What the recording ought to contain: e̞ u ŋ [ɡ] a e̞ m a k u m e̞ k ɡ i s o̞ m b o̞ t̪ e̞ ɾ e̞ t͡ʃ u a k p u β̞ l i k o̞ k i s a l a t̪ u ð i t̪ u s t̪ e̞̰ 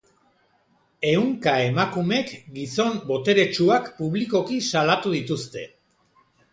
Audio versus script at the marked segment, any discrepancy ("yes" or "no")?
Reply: yes